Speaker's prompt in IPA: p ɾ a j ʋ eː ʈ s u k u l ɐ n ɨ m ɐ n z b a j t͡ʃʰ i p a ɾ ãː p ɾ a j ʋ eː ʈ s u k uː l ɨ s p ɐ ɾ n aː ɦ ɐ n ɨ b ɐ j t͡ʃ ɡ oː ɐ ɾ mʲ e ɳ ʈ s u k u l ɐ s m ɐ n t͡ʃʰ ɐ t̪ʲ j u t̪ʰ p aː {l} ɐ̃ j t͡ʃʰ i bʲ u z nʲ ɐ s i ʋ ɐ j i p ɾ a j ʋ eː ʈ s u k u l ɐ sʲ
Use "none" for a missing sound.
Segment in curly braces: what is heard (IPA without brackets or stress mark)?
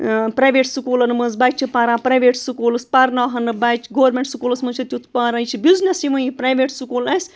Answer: ɾ